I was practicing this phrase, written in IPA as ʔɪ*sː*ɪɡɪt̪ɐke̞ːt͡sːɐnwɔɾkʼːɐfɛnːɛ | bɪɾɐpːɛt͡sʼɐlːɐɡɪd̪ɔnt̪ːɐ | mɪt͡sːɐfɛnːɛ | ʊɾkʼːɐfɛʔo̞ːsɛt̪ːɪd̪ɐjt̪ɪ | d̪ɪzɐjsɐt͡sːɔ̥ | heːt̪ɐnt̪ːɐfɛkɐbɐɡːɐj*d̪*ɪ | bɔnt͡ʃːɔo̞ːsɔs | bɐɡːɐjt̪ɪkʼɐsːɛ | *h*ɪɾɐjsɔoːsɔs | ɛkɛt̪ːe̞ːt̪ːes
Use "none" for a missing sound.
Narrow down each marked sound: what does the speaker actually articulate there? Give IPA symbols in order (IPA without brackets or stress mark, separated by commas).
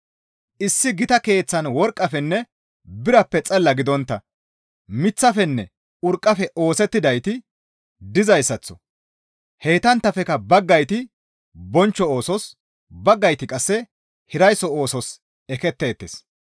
sː, t̪, h